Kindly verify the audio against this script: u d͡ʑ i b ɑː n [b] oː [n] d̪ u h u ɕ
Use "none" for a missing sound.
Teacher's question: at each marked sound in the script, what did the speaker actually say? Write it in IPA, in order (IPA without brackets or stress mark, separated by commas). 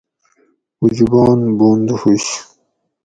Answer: b, n